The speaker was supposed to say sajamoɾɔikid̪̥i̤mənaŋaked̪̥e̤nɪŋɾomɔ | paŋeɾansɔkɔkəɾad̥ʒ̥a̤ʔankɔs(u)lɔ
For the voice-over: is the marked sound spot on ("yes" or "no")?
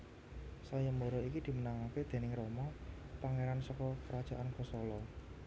no